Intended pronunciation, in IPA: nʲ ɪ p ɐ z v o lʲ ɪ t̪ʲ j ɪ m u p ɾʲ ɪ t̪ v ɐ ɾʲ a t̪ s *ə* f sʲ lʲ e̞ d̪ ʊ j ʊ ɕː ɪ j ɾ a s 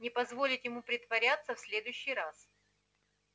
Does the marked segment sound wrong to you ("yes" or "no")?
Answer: no